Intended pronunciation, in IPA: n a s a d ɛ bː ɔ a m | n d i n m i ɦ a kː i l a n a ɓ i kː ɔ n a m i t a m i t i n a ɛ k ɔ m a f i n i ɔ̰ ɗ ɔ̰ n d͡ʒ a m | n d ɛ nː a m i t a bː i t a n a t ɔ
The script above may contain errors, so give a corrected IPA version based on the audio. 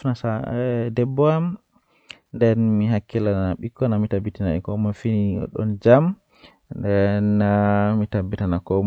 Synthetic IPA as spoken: n a s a d ɛ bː ɔ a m | n d ɛ n m i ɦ a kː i l a n a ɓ i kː ɔ n a m i t a b i t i n a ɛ k ɔ m a f i n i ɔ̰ ɗ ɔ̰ n d͡ʒ a m | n d ɛ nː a m i t a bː i t a n a k ɔ